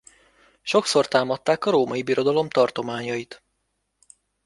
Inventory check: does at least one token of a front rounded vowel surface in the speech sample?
no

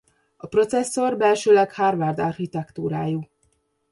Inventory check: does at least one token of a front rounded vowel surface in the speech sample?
yes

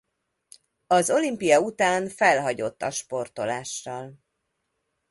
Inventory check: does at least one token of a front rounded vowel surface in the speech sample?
no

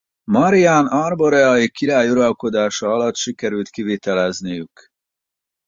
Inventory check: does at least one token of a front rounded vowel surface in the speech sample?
yes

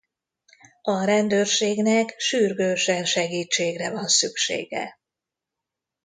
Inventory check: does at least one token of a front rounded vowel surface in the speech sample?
yes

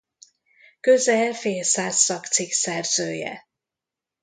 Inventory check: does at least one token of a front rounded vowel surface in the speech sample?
yes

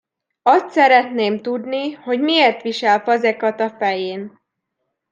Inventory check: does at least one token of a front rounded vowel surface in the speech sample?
no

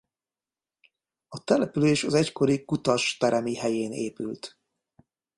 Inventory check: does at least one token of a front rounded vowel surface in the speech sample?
yes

